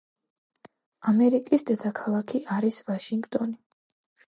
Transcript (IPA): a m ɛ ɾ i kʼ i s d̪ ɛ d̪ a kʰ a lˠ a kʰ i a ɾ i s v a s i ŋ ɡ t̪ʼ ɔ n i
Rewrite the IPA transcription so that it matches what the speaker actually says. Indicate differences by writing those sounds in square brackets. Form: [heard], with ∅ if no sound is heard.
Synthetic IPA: a m ɛ ɾ i kʼ i s d̪ ɛ d̪ a kʰ a lˠ a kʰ i a ɾ i s v a [ʃ] i ŋ ɡ t̪ʼ ɔ n i